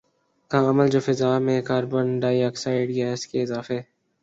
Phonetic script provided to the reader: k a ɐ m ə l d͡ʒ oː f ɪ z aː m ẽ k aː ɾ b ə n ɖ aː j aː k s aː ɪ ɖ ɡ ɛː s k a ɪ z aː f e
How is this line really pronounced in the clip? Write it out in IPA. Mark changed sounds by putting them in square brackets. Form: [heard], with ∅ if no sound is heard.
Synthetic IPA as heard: k a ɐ m ə l d͡ʒ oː f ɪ z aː m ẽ k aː ɾ b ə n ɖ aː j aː k s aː ɪ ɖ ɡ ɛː s k [e] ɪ z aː f e

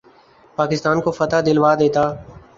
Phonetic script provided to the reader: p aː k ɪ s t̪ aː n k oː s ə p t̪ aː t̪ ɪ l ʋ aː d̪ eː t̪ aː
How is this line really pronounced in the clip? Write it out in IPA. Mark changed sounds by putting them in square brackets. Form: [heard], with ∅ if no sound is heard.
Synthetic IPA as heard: p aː k ɪ s t̪ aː n k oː [f] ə [∅] t̪ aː [d̪] ɪ l ʋ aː d̪ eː t̪ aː

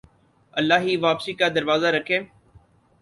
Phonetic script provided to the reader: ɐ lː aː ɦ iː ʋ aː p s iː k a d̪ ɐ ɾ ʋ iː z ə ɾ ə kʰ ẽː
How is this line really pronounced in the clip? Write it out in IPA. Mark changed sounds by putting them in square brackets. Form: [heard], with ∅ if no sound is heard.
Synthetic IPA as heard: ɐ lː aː ɦ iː ʋ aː p s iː k a d̪ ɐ ɾ ʋ [aː] z [a] ɾ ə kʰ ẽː

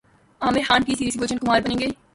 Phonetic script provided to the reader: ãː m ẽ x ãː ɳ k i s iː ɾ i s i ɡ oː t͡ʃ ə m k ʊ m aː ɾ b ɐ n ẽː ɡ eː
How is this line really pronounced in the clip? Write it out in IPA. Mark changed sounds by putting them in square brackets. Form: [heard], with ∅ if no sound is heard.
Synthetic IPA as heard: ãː m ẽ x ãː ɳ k i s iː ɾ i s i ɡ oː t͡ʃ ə [n] k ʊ m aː ɾ b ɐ n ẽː ɡ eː

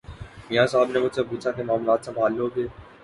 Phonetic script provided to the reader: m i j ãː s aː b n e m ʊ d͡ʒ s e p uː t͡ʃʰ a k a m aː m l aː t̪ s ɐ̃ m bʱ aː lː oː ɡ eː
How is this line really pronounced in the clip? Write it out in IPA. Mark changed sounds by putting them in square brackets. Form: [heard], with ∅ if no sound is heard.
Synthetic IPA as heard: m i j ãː s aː b n e m ʊ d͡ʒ s e p uː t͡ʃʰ a k [e] m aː m l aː t̪ s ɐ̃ m bʱ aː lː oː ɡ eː

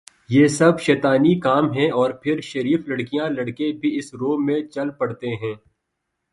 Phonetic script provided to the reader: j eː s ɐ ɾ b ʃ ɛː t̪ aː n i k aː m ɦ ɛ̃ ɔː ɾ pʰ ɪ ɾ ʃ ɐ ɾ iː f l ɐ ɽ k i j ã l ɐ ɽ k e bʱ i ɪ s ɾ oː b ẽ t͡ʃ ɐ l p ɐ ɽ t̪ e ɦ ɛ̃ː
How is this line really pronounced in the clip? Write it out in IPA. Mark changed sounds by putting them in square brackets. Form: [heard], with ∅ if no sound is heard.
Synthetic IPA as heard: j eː s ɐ [∅] b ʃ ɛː t̪ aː n i k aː m ɦ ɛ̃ ɔː ɾ pʰ ɪ ɾ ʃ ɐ ɾ iː f l ɐ ɽ k i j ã l ɐ ɽ k e bʱ i ɪ s ɾ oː [m] ẽ t͡ʃ ɐ l p ɐ ɽ t̪ e ɦ ɛ̃ː

